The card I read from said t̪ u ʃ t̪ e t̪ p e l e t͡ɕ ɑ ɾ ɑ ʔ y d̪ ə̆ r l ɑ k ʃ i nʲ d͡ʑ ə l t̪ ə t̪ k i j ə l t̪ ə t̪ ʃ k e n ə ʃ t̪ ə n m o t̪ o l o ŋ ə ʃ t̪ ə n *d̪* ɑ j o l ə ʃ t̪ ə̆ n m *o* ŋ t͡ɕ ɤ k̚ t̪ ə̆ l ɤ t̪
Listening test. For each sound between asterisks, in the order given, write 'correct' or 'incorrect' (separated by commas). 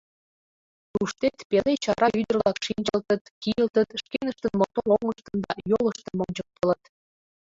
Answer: correct, correct